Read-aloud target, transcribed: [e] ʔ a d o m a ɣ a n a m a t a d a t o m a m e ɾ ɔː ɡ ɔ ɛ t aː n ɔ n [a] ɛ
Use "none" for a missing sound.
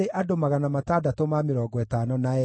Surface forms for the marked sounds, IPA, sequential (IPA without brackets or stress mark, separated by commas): e, a